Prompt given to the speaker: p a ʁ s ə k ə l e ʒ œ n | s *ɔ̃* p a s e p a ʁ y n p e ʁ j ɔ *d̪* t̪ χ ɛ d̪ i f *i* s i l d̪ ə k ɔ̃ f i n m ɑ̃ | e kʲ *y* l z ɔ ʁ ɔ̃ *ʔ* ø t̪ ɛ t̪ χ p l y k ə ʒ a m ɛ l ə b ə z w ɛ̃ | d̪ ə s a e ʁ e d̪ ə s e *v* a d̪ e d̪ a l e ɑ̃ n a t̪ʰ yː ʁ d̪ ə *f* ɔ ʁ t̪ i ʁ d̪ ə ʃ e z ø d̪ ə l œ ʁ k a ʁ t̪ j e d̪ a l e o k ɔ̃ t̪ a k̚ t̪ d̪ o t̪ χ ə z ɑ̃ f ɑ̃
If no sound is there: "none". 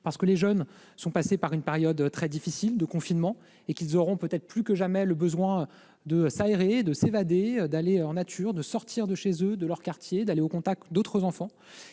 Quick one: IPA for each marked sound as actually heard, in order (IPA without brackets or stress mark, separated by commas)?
ɔ̃, d̪, i, i, p, v, s